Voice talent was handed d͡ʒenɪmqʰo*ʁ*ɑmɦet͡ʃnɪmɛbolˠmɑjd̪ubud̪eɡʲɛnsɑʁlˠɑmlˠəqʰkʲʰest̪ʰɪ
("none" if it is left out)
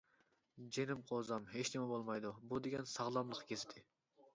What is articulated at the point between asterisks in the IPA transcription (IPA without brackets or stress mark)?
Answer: z